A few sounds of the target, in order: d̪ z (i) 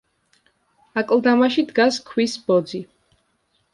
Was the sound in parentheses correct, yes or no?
yes